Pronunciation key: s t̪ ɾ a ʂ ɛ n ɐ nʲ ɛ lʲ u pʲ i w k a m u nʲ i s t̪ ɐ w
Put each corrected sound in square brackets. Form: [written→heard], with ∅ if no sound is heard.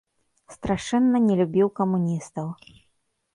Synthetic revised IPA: s t̪ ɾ a ʂ ɛ [n→nː] ɐ nʲ ɛ lʲ u [pʲ→bʲ] i w k [a→ɐ] m u nʲ i s t̪ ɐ w